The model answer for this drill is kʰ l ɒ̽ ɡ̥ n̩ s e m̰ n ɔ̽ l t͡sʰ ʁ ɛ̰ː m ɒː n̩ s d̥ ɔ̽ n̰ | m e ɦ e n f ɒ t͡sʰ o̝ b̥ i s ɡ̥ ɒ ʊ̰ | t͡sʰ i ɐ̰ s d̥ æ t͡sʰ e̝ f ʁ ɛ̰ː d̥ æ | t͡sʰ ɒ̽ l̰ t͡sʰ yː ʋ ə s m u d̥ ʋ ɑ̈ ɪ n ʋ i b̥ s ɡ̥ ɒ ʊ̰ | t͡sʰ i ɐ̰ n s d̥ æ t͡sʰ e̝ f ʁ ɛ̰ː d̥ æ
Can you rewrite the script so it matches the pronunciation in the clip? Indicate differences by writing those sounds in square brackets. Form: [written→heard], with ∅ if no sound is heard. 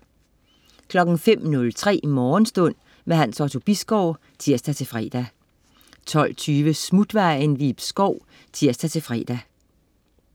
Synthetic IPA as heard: kʰ l ɒ̽ ɡ̥ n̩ [s→f] e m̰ n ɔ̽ l t͡sʰ ʁ ɛ̰ː m ɒː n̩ s d̥ ɔ̽ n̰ | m e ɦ [e→æ] n [f→s] ɒ t͡sʰ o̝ b̥ i s ɡ̥ ɒ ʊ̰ | t͡sʰ i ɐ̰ s d̥ æ t͡sʰ e̝ f ʁ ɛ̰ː d̥ æ | t͡sʰ ɒ̽ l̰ t͡sʰ yː ʋ ə s m u d̥ ʋ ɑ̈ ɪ n ʋ i b̥ s ɡ̥ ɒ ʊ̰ | t͡sʰ i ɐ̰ [n→∅] s d̥ æ t͡sʰ e̝ f ʁ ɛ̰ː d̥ æ

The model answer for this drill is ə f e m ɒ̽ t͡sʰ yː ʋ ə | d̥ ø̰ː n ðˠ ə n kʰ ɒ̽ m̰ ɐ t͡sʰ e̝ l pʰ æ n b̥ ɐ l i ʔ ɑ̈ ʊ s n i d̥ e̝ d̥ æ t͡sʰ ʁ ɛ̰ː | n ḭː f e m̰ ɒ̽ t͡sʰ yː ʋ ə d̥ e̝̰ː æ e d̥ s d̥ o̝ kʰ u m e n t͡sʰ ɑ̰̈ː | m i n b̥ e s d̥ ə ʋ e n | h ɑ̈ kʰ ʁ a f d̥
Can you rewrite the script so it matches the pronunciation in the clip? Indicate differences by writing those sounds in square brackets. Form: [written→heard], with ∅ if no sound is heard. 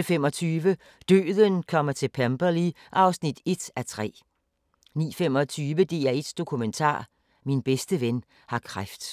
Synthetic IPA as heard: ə f e m ɒ̽ t͡sʰ yː ʋ ə | d̥ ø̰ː [n→∅] ðˠ ə n kʰ ɒ̽ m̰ ɐ t͡sʰ e̝ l pʰ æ [n→m] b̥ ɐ l i ʔ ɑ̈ ʊ s n i d̥ e̝ d̥ æ t͡sʰ ʁ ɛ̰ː | n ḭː f e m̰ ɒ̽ t͡sʰ yː ʋ ə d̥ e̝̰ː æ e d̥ s d̥ o̝ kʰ u m e n t͡sʰ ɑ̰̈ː | m i n b̥ e s d̥ ə ʋ e n | h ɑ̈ kʰ ʁ a f d̥

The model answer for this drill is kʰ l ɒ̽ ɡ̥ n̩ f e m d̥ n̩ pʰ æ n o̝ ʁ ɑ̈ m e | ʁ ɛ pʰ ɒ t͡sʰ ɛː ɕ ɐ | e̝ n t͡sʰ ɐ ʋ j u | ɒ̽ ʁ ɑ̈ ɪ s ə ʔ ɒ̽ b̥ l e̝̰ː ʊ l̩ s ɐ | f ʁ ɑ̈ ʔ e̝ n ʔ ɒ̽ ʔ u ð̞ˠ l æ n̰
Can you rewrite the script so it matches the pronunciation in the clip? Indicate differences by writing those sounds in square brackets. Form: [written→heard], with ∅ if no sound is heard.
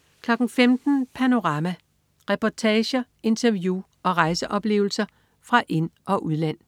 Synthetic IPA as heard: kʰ l ɒ̽ ɡ̥ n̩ f e m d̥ n̩ pʰ æ n o̝ ʁ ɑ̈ m [e→æ] | ʁ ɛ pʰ ɒ t͡sʰ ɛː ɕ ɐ | e̝ n t͡sʰ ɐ ʋ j u | ɒ̽ ʁ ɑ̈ ɪ s ə ʔ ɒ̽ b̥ l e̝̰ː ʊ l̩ s ɐ | f ʁ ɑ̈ ʔ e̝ n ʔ ɒ̽ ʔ u ð̞ˠ l æ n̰

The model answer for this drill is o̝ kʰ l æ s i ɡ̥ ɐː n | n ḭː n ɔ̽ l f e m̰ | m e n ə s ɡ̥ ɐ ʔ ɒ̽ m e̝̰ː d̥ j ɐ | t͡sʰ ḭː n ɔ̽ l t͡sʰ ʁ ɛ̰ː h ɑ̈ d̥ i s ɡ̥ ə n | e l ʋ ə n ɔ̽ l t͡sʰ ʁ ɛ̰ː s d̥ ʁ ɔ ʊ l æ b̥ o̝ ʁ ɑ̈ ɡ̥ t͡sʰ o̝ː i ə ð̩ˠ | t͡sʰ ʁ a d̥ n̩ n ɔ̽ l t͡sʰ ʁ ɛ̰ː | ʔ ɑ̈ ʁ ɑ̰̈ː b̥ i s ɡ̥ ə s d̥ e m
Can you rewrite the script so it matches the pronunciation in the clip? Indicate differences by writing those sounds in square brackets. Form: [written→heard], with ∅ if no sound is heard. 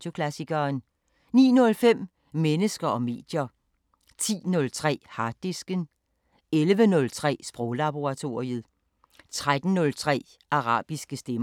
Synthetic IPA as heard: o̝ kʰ l æ s i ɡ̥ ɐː n | n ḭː n ɔ̽ l f e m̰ | m e n ə s ɡ̥ ɐ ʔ ɒ̽ m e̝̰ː d̥ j ɐ | t͡sʰ ḭː n ɔ̽ l t͡sʰ ʁ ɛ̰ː h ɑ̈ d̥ i s ɡ̥ ə n | e l ʋ ə n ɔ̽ l t͡sʰ ʁ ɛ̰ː s [d̥→b̥] ʁ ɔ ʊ l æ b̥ o̝ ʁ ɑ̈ [ɡ̥→∅] t͡sʰ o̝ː i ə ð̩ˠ | t͡sʰ ʁ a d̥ n̩ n ɔ̽ l t͡sʰ ʁ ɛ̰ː | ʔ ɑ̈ ʁ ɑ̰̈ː b̥ i s ɡ̥ ə s d̥ e m

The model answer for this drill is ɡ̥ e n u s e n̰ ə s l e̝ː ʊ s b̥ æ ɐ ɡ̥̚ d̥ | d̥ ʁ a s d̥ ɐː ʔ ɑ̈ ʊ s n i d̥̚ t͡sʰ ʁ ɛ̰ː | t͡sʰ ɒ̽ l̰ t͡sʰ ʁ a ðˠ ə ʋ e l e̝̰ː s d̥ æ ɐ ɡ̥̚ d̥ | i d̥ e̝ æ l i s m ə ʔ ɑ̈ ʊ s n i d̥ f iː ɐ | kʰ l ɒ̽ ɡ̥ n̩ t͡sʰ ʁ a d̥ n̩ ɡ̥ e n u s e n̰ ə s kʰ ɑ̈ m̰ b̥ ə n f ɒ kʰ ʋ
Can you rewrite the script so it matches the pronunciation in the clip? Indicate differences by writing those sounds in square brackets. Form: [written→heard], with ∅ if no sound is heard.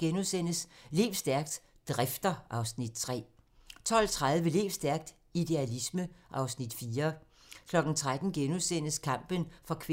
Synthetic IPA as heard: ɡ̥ e n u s e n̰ ə s l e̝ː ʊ s [b̥→d̥] æ ɐ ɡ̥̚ d̥ | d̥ ʁ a [s→f] d̥ [ɐː→ɐ] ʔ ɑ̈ ʊ s n i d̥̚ t͡sʰ ʁ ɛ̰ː | t͡sʰ ɒ̽ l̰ t͡sʰ ʁ a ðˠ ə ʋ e l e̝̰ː s d̥ æ ɐ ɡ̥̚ d̥ | i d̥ e̝ æ l i s m ə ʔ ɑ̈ ʊ s n i d̥ f iː ɐ | kʰ l ɒ̽ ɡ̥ n̩ t͡sʰ ʁ a d̥ n̩ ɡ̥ e n u s e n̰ ə s kʰ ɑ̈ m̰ b̥ ə n f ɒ kʰ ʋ

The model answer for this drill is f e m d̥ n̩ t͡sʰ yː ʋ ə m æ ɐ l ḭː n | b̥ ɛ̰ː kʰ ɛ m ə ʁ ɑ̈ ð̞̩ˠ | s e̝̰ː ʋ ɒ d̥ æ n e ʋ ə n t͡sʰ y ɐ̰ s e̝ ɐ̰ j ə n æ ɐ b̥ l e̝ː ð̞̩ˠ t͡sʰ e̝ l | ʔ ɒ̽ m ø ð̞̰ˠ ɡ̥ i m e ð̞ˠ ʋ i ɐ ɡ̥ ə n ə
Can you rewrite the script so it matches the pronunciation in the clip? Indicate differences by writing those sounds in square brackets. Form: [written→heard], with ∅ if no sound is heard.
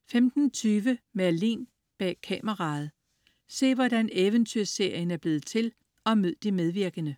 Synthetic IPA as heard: f e m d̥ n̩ t͡sʰ yː ʋ ə m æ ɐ l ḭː n | b̥ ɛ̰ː kʰ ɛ m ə ʁ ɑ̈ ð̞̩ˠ | s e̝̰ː ʋ ɒ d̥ æ n e ʋ ə n t͡sʰ y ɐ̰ s e̝ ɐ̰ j ə n æ ɐ b̥ l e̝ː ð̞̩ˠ t͡sʰ e̝ l | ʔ ɒ̽ m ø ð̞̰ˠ [ɡ̥→d̥] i m e ð̞ˠ ʋ i ɐ ɡ̥ ə n ə

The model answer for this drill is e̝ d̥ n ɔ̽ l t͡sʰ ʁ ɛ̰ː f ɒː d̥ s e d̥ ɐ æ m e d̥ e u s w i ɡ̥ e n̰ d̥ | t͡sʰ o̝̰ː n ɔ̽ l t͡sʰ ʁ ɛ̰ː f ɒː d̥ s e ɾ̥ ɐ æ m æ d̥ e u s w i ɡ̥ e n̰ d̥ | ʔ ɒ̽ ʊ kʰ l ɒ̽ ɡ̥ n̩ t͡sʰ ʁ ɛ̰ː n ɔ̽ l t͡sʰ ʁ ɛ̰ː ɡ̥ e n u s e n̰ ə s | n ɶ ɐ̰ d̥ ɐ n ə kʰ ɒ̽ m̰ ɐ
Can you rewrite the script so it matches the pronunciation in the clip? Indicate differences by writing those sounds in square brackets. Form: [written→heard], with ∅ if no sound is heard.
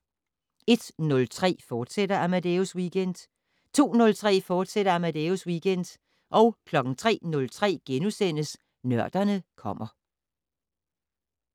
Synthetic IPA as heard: e̝ d̥ n ɔ̽ l t͡sʰ ʁ ɛ̰ː f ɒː d̥ s e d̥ ɐ æ m [e→æ] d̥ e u s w i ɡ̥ e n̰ d̥ | t͡sʰ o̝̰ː n ɔ̽ l t͡sʰ ʁ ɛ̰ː f ɒː d̥ s e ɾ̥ ɐ æ m æ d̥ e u s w i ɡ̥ e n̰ d̥ | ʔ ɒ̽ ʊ kʰ l ɒ̽ ɡ̥ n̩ t͡sʰ ʁ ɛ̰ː n ɔ̽ l t͡sʰ ʁ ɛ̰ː ɡ̥ e n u s e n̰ ə s | n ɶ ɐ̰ d̥ ɐ n ə kʰ ɒ̽ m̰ ɐ

